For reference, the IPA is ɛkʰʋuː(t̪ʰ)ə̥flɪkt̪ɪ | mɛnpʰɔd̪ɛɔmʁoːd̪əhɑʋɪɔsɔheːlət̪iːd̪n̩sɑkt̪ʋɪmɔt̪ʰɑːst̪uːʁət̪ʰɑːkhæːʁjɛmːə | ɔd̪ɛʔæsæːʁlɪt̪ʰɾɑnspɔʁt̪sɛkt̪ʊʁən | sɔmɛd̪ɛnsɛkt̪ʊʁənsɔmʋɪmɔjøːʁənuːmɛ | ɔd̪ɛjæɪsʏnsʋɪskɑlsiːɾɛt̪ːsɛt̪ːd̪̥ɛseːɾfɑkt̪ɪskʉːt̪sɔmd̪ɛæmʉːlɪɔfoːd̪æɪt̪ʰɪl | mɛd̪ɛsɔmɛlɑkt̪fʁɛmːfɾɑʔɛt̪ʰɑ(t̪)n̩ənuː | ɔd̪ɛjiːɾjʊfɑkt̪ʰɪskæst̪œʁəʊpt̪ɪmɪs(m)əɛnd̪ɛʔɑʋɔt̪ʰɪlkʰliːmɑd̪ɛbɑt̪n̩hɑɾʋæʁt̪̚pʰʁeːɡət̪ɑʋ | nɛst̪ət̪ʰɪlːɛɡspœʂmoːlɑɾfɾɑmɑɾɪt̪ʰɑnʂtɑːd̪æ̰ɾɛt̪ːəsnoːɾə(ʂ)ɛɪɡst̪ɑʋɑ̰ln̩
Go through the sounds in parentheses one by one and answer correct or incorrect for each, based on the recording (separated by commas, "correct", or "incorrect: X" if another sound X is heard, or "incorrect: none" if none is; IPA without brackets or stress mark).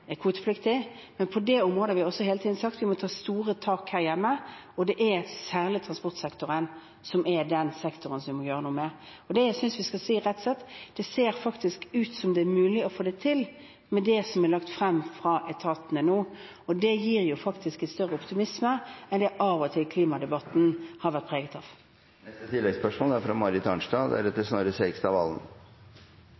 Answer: incorrect: t̪, correct, correct, incorrect: s